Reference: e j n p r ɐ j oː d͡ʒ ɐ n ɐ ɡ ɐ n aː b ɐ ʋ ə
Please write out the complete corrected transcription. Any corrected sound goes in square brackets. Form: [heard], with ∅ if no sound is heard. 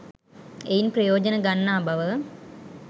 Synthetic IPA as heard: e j n p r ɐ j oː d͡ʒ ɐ n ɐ ɡ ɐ [nː] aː b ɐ ʋ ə

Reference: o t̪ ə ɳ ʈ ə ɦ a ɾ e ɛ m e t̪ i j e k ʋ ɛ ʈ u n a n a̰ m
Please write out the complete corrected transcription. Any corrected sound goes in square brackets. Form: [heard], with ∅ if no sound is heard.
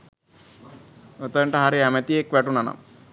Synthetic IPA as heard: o t̪ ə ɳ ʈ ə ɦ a ɾ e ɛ m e t̪ i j e k ʋ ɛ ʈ u n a n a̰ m

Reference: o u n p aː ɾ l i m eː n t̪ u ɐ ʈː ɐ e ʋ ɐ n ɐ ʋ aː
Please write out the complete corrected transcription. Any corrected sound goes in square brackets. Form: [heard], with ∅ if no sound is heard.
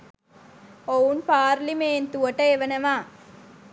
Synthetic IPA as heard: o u n p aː ɾ l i m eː n t̪ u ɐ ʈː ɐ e ʋ ɐ n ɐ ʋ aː

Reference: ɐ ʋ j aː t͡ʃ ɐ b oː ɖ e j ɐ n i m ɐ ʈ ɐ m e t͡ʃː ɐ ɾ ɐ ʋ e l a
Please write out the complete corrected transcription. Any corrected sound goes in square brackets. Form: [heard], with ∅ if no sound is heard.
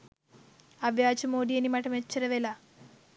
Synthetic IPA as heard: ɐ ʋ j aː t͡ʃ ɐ [m] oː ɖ [i] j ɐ n i m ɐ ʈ ɐ m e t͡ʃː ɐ ɾ ɐ ʋ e l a

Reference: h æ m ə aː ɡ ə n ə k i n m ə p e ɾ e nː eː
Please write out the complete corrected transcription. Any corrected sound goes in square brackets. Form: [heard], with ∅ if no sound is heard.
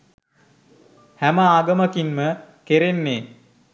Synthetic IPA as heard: h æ m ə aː ɡ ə [m] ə k i n m ə [k] e ɾ e nː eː

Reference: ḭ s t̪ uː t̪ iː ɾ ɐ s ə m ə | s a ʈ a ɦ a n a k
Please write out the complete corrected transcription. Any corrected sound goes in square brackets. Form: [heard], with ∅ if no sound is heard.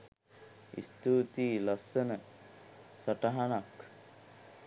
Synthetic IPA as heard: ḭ s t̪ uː t̪ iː [l] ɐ s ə [n] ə | s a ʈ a ɦ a n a k

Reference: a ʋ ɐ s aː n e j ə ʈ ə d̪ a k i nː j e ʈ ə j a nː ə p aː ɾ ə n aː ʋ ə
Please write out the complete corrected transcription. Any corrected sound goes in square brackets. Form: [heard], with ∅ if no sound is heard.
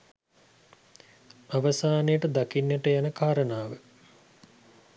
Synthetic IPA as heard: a ʋ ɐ s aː n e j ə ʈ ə d̪ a k i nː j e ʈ ə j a [n] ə [k] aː ɾ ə n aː ʋ ə

